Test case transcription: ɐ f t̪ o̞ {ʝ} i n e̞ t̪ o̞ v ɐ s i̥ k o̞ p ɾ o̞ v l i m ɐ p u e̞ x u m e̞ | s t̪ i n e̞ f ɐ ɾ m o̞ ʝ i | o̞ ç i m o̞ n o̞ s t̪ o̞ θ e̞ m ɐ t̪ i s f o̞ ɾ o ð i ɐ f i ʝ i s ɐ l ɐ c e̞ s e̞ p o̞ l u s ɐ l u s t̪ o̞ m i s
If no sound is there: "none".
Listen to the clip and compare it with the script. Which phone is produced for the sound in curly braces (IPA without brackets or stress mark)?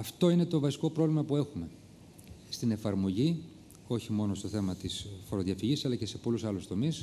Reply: none